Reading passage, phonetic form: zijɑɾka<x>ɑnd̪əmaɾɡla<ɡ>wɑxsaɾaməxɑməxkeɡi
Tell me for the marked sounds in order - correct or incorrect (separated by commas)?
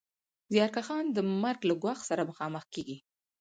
correct, correct